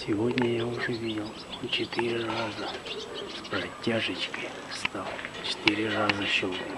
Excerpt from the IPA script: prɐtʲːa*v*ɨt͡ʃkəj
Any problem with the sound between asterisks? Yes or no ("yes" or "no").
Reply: yes